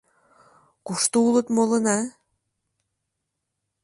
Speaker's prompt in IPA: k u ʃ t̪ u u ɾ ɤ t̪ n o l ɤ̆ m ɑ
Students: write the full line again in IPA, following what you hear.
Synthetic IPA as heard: k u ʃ t̪ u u l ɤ t̪ m o l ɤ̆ n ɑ